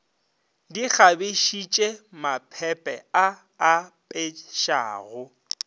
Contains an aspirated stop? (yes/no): yes